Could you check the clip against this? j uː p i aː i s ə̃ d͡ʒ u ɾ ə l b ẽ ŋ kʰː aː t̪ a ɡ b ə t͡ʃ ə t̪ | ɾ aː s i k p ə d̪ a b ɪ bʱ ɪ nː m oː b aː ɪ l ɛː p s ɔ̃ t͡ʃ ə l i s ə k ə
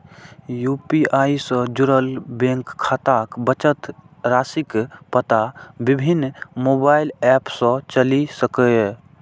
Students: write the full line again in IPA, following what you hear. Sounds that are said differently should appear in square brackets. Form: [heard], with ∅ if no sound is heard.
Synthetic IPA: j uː p i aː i s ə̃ d͡ʒ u ɾ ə l b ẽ ŋ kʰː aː t̪ a [k] b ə t͡ʃ ə t̪ | ɾ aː s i k p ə [t̪] a b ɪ bʱ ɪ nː m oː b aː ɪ l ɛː p s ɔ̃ t͡ʃ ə l i s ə k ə